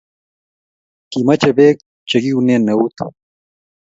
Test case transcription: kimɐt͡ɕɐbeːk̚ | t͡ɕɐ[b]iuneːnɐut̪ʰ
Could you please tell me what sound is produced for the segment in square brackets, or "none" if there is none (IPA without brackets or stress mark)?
ɡ